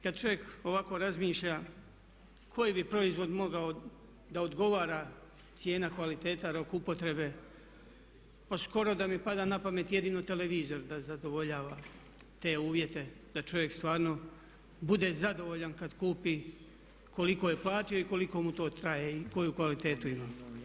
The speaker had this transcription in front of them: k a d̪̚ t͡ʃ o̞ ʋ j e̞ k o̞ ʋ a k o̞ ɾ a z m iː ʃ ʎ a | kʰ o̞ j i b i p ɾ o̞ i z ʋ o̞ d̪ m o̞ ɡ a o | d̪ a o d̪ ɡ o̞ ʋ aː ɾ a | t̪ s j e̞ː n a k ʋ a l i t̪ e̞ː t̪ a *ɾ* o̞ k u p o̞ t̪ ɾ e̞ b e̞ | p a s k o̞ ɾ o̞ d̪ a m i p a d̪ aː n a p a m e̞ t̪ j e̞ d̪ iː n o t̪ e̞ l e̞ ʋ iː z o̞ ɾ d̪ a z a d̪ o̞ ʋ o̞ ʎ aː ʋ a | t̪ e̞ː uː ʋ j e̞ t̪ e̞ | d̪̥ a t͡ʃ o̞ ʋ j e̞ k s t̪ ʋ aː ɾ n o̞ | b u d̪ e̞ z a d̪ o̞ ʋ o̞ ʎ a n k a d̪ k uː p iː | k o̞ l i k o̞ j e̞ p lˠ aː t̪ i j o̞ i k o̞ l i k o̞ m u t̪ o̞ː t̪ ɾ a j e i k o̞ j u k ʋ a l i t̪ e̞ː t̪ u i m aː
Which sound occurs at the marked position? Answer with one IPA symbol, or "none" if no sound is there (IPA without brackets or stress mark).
ɾ